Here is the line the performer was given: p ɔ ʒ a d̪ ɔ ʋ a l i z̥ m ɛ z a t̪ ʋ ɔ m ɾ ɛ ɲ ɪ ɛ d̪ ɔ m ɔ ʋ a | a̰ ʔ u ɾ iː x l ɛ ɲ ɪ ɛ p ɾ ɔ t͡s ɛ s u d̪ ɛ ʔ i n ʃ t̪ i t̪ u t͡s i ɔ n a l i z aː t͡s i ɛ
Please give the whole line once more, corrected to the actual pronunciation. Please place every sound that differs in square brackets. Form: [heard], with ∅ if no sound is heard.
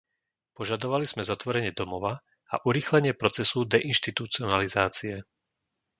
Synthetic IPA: p ɔ ʒ a d̪ ɔ ʋ a l i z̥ m ɛ z a t̪ ʋ ɔ [∅] ɾ ɛ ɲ ɪ ɛ d̪ ɔ m ɔ ʋ a | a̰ ʔ u ɾ iː x l ɛ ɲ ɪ ɛ p ɾ ɔ t͡s ɛ s u d̪ ɛ ʔ i n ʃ t̪ i t̪ u t͡s i ɔ n a l i z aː t͡s i ɛ